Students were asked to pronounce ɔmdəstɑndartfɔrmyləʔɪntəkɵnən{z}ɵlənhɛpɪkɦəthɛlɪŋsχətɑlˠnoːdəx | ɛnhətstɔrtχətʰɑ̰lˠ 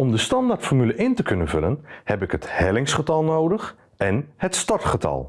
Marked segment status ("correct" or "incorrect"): incorrect